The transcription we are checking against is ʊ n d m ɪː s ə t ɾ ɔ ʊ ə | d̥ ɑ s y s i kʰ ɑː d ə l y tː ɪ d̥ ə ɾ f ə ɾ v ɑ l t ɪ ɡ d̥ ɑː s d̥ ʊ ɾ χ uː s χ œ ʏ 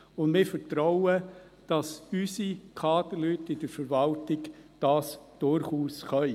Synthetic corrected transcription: ʊ n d m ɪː f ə t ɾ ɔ ʊ ə | d̥ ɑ s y s i kʰ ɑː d ə l y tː ɪ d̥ ə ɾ f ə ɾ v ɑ l t ɪ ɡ d̥ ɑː s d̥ ʊ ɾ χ uː s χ œ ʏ

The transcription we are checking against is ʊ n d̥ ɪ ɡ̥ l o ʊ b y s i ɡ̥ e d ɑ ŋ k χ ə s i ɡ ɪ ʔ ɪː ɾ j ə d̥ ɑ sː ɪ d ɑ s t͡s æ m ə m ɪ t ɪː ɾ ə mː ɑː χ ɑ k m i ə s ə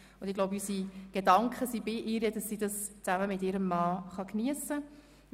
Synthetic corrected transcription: ʊ n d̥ ɪ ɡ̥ l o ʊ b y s i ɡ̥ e d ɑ ŋ k χ ə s i b ɪ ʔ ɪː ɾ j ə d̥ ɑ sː i d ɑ s t͡s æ m ə m ɪ t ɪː ɾ ə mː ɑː χ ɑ k n i ə s ə

